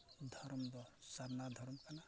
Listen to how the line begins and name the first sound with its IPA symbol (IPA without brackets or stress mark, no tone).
d̪ʱ